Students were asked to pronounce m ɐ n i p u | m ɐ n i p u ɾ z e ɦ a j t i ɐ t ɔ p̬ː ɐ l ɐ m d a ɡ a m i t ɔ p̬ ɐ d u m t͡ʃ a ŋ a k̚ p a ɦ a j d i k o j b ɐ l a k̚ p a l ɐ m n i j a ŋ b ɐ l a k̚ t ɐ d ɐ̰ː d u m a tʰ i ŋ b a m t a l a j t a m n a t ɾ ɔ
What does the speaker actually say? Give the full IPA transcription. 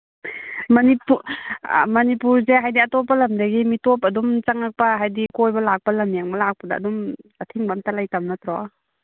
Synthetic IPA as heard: m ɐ n i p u | m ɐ n i p u ɾ z e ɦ a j d i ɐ t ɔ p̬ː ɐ l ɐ m d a ɡ i m i t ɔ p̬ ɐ d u m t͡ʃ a ŋ a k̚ p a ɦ a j d i k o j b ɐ l a k̚ p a l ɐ m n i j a ŋ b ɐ l a k̚ p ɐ d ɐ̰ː d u m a tʰ i ŋ b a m t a l a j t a m n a t ɾ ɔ